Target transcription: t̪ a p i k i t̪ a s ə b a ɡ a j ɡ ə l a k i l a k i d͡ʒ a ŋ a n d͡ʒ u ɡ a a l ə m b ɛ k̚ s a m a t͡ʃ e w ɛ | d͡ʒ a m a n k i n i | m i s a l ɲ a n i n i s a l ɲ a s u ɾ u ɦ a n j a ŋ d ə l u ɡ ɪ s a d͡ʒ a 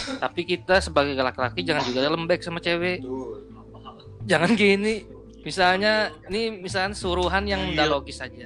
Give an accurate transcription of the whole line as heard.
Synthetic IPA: t̪ a p i k i t̪ a s ə b a ɡ a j ɡ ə l a k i l a k i d͡ʒ a ŋ a n d͡ʒ u ɡ a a l ə m b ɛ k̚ s a m a t͡ʃ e w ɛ | d͡ʒ a ŋ a n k i n i | m i s a l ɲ a n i m i s a l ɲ a s u ɾ u ɦ a n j a ŋ d a l o ɡ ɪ s a d͡ʒ a